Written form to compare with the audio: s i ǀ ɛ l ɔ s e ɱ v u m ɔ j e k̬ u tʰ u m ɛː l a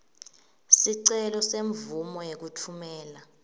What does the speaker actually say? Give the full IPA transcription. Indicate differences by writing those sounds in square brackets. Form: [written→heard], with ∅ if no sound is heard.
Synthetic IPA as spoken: s i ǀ ɛ l ɔ s e ɱ v u m ɔ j e k̬ u tʰ u m ɛː l a